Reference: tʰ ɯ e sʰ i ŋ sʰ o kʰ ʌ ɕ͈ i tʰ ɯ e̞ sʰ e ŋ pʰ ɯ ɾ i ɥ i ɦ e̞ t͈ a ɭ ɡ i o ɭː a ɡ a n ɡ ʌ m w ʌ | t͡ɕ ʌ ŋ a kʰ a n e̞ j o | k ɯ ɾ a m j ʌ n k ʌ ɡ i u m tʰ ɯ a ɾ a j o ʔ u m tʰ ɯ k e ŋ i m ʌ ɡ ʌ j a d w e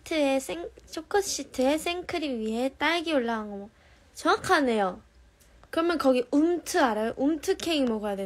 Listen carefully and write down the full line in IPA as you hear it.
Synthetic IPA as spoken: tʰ ɯ e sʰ e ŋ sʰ o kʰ ʌ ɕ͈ i tʰ ɯ e̞ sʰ e ŋ kʰ ɯ ɾ i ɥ i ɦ e̞ t͈ a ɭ ɡ i o ɭː a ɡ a n ɡ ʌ m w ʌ | t͡ɕ ʌ ŋ a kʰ a n e̞ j o | k ɯ ɾ ʌ m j ʌ n k ʌ ɡ i u m tʰ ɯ a ɾ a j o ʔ u m tʰ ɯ kʰ e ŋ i m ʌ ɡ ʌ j a d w e